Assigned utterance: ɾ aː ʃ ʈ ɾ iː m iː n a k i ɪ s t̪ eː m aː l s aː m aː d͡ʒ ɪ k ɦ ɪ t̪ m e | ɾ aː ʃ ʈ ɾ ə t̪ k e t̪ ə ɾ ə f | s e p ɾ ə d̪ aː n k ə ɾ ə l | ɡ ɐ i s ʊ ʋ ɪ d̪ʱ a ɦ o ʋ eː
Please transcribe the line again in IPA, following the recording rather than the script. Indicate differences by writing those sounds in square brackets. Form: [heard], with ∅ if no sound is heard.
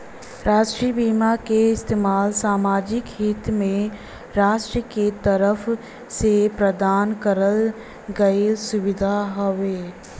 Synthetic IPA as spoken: ɾ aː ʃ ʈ ɾ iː [b] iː [m] a k [e] ɪ s t̪ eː m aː l s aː m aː d͡ʒ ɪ k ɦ ɪ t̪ m [ẽ] | ɾ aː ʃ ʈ ɾ ə [∅] k e t̪ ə ɾ ə f | s e p ɾ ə d̪ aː n k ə ɾ ə l | ɡ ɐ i s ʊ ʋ ɪ d̪ʱ a ɦ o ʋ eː